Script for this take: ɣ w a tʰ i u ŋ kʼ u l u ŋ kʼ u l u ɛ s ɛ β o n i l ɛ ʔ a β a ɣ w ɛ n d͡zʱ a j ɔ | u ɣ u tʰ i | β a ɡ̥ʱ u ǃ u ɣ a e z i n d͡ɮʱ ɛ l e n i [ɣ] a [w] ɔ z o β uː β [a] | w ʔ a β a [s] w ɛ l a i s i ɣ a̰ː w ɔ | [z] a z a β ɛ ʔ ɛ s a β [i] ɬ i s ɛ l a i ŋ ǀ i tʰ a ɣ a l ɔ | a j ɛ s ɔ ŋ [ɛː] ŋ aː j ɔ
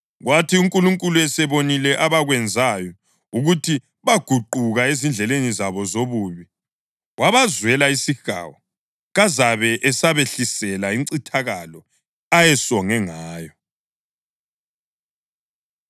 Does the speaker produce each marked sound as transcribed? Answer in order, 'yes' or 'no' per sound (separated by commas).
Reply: no, no, no, no, no, no, no